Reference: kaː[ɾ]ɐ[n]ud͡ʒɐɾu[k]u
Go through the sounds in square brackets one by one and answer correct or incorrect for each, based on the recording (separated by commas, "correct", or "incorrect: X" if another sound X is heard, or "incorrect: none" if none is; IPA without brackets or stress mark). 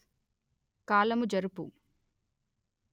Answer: incorrect: l, incorrect: m, incorrect: p